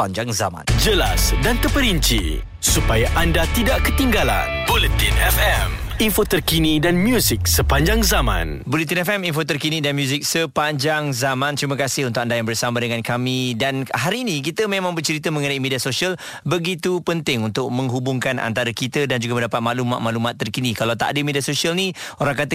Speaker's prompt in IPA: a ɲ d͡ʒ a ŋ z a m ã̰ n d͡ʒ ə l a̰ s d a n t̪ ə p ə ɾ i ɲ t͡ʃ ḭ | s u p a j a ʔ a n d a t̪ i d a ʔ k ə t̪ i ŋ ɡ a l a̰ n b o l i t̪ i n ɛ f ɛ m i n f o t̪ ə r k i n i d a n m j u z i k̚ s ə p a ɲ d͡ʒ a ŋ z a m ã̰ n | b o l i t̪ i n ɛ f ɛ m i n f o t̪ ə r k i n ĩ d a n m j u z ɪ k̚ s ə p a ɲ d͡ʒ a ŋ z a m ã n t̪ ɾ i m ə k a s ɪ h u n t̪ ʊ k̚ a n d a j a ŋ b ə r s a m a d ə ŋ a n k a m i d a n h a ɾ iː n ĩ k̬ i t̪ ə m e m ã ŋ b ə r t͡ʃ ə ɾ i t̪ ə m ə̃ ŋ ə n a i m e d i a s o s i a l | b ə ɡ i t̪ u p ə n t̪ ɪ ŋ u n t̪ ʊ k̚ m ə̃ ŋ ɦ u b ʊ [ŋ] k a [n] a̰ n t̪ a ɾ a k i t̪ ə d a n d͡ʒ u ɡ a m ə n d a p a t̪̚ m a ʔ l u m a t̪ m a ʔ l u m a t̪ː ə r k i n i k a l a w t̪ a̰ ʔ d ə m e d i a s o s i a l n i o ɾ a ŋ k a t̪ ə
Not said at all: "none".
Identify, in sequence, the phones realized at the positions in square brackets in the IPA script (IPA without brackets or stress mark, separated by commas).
ŋ, n